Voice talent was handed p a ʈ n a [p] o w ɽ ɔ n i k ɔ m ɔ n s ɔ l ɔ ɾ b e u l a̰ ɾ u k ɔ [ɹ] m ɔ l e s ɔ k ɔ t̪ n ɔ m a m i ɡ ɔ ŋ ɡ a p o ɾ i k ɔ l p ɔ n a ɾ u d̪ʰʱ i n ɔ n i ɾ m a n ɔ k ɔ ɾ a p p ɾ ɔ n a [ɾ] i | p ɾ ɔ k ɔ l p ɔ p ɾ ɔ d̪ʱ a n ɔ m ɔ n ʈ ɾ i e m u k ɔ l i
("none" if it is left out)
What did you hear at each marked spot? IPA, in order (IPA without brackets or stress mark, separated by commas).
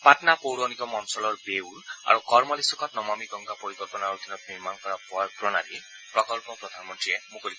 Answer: p, ɾ, ɾ